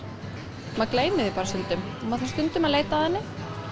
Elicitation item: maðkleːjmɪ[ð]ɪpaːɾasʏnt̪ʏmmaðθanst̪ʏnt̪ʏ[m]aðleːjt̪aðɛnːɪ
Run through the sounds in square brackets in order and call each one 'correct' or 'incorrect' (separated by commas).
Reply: correct, correct